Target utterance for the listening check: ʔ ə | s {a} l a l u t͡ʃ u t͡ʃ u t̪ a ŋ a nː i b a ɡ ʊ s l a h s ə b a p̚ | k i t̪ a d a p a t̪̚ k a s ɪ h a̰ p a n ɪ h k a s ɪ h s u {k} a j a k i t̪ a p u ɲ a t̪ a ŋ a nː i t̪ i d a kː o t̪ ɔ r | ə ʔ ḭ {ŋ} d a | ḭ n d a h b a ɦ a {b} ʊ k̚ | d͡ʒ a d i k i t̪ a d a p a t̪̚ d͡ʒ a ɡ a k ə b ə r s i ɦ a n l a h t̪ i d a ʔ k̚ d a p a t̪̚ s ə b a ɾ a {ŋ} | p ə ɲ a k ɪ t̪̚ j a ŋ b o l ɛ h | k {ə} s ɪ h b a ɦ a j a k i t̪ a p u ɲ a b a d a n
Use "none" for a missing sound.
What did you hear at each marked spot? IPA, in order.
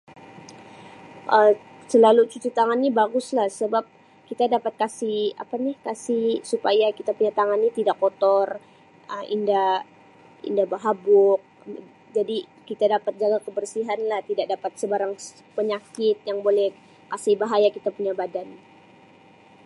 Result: ə, p, n, b, ŋ, a

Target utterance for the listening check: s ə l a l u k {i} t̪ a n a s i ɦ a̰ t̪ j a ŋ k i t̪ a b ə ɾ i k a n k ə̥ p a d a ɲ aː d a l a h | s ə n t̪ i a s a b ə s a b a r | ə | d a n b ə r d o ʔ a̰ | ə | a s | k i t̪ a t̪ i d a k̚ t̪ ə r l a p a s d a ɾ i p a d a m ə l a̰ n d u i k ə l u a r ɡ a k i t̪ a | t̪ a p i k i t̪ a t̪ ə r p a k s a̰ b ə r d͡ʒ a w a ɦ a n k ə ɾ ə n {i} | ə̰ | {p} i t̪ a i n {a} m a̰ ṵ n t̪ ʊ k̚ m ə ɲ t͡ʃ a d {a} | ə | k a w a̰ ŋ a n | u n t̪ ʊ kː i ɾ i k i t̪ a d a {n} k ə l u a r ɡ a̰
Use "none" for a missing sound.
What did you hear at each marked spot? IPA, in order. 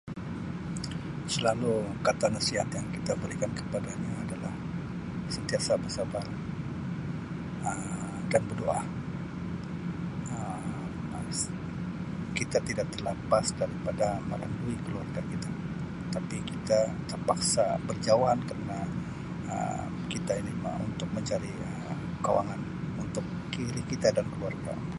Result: a, a, k, i, i, n

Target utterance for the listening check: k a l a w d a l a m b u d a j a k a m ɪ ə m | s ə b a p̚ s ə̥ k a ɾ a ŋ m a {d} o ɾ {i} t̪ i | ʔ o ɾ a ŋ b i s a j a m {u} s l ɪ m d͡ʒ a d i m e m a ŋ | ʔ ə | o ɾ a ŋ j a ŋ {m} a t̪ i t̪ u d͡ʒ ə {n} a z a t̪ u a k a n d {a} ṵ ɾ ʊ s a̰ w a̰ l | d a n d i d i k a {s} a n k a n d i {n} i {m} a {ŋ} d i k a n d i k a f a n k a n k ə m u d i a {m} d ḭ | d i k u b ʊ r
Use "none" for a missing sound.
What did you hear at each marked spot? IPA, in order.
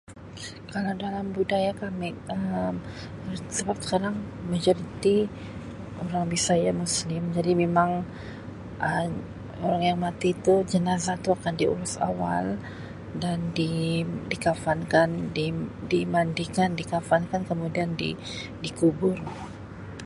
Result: d͡ʒ, i, u, m, n, i, f, d, m, n, n

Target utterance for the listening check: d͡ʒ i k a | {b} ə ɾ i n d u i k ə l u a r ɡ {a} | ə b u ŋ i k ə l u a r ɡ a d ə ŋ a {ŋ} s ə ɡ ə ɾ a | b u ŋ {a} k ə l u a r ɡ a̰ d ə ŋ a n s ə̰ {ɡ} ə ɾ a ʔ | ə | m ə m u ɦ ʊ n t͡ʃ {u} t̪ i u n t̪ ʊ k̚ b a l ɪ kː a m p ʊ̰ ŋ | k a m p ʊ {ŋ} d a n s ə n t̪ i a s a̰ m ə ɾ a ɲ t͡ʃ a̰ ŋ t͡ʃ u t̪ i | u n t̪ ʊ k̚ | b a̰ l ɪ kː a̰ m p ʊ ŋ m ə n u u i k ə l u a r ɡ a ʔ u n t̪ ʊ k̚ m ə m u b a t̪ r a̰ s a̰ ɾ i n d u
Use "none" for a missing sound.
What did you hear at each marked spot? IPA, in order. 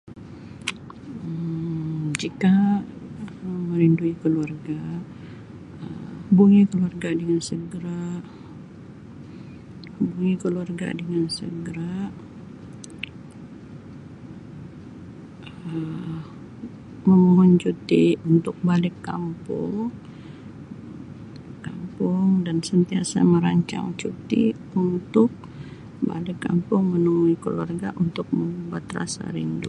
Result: m, a, n, i, ɡ, u, ŋ

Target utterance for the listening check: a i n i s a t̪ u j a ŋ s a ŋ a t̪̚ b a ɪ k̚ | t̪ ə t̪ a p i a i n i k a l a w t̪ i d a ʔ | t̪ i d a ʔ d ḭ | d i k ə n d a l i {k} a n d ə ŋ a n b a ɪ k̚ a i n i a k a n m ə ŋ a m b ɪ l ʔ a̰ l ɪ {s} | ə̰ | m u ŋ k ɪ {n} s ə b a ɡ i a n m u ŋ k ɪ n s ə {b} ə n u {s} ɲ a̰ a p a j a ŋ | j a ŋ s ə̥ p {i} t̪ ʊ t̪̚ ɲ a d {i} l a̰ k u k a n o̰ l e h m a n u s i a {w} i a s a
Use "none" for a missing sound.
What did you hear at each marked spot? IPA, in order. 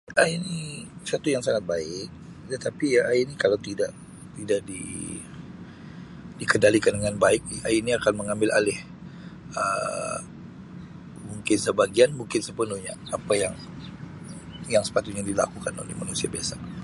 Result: k, h, n, p, h, a, i, b

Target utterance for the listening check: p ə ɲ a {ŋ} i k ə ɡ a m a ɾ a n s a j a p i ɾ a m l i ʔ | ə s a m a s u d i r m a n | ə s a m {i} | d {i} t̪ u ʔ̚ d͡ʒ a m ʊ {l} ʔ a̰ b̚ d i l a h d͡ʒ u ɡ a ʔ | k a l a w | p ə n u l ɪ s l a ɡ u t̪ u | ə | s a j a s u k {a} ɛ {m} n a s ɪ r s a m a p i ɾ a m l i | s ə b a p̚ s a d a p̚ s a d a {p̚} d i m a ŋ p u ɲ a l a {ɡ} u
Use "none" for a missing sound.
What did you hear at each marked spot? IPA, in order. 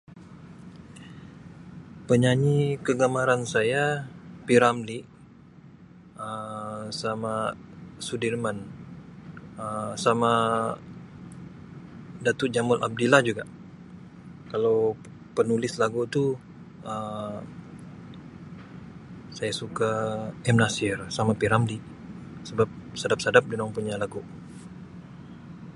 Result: ɲ, a, a, l, a, m, p̚, ɡ

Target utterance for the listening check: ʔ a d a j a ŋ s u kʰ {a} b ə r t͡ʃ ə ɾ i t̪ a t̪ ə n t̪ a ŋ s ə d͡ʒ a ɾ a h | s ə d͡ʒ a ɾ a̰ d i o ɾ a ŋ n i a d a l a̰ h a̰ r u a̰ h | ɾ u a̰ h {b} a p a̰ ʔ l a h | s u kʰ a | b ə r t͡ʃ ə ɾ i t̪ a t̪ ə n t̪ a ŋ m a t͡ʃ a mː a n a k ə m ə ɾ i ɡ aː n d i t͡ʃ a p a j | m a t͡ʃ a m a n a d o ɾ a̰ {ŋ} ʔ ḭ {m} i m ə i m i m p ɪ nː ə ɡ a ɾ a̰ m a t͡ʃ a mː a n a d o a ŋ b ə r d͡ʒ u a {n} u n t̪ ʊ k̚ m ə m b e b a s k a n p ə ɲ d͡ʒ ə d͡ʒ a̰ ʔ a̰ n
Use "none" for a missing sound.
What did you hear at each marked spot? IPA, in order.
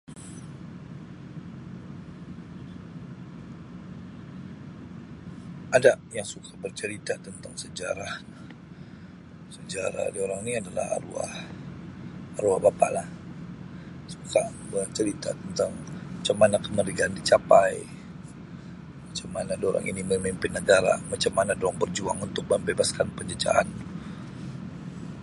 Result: a, b, ŋ, n, ŋ

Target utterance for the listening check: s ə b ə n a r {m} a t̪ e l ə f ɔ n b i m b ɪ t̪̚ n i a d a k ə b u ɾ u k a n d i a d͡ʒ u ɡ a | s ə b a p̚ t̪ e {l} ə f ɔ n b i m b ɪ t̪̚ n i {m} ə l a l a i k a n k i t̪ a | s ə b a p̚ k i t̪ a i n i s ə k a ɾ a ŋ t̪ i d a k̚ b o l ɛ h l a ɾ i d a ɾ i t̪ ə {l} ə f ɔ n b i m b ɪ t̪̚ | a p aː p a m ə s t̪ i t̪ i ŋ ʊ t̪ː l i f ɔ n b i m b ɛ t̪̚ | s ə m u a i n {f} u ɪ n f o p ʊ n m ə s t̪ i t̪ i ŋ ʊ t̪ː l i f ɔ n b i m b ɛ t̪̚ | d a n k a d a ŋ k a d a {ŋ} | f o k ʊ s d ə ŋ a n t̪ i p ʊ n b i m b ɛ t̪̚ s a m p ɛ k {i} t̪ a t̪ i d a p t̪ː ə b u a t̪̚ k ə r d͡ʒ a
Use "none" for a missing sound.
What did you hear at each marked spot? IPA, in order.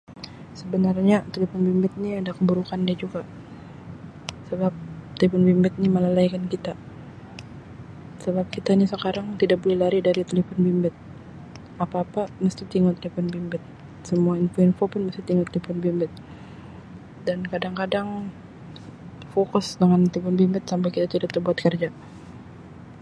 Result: ɲ, l, m, l, f, ŋ, i

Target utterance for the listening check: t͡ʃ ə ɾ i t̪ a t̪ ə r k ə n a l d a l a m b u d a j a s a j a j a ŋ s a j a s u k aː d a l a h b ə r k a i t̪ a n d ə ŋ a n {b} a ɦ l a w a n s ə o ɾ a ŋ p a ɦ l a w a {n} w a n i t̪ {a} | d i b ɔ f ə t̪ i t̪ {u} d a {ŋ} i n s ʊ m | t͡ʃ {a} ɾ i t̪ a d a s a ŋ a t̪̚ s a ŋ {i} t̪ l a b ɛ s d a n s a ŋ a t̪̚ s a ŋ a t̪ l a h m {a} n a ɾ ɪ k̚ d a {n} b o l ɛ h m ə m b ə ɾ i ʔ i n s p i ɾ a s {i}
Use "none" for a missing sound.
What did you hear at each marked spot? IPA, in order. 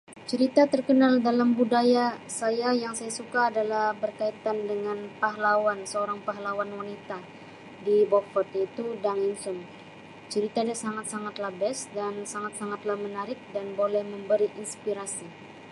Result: p, n, a, u, ŋ, ə, a, ə, n, i

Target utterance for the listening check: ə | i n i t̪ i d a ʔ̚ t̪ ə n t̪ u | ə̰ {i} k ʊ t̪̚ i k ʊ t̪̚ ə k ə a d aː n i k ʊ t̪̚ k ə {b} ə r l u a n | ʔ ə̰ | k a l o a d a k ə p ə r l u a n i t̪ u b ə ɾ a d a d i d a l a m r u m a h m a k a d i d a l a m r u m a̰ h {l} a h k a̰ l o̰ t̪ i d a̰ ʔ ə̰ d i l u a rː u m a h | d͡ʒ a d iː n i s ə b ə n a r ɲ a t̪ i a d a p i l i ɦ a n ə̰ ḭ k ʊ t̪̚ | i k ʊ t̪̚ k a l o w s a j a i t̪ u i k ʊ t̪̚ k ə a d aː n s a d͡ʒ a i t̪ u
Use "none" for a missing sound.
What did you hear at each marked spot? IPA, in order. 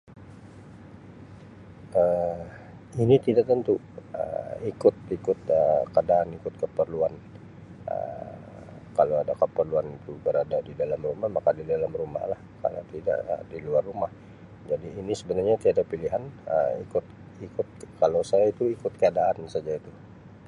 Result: i, p, l

